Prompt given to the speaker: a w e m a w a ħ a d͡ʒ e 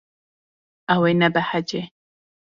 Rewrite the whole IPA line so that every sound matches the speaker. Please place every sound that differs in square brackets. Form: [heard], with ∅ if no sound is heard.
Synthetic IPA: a w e [n] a [b] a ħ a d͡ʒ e